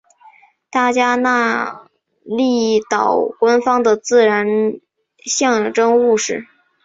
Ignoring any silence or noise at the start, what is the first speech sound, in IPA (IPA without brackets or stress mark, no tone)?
t̪